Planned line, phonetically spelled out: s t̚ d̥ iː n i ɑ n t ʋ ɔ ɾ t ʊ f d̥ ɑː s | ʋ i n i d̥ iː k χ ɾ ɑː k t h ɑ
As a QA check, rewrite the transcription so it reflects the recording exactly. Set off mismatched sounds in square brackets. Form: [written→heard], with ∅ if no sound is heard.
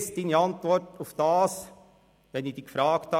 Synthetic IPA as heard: s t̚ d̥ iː n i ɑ n t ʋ ɔ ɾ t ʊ f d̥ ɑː s | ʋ [i→ɛ] n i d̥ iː k [χ→f] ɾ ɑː k t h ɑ